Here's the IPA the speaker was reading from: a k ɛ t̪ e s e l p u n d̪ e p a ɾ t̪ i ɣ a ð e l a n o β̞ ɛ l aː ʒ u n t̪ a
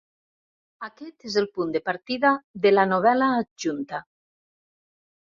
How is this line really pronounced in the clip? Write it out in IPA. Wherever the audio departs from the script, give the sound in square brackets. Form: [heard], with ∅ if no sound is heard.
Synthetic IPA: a k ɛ t̪ e [z] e l p u n d̪ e p a ɾ t̪ i [ð] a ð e l a n o β̞ ɛ l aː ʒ u n t̪ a